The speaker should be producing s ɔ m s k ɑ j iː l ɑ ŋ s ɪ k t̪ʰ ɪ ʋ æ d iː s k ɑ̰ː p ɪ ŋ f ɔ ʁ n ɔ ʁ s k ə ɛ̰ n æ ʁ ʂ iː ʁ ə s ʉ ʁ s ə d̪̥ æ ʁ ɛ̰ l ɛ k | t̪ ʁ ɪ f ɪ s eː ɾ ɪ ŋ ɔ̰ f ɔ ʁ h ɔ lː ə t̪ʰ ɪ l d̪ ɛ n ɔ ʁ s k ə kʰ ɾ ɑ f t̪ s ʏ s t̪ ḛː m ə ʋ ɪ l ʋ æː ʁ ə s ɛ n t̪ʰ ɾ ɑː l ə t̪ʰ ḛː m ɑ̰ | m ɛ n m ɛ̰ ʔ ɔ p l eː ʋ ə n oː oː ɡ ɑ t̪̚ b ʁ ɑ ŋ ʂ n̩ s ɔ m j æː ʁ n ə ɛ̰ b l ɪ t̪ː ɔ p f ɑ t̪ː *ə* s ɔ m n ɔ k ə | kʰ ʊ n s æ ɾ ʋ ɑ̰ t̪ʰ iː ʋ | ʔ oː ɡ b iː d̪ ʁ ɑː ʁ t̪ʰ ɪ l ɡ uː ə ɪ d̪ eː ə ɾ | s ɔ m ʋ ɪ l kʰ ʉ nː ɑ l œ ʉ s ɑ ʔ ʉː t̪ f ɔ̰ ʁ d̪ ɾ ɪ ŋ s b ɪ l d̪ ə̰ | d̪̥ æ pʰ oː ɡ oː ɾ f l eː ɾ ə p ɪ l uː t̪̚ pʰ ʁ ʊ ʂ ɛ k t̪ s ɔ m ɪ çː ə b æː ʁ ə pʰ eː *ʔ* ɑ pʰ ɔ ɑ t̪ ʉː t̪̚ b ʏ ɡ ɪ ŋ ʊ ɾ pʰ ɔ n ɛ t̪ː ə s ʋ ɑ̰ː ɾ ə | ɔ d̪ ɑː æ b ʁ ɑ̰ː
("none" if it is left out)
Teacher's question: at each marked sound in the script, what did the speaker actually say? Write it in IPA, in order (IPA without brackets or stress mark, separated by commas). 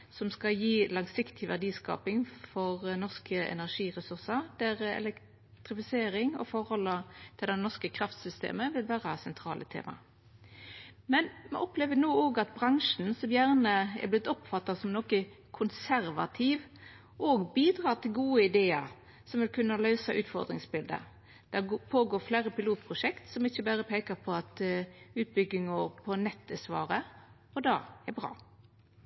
ɑ, k